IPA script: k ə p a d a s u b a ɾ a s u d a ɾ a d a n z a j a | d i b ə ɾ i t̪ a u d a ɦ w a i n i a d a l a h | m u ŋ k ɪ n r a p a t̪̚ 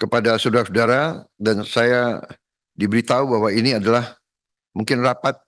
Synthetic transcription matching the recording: k ə p a d a s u d a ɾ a s u d a ɾ a d a n s a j a | d i b ə ɾ i t̪ a u b a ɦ w a i n i a d a l a h | m u ŋ k ɪ n r a p a t̪̚